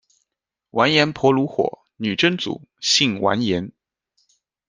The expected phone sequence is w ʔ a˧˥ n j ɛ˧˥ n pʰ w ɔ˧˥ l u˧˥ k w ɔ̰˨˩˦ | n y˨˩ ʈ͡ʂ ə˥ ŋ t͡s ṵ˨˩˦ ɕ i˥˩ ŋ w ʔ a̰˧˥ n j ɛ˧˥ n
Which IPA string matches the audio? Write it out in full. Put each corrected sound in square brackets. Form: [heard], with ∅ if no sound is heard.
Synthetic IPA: w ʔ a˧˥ n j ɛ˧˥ n pʰ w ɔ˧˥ l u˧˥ [x] w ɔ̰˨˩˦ | n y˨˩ ʈ͡ʂ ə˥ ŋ t͡s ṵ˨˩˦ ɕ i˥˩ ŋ w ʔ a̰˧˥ n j ɛ˧˥ n